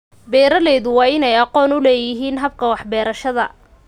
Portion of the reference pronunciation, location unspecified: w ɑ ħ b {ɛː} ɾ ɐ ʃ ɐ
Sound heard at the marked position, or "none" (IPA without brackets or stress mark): ɛː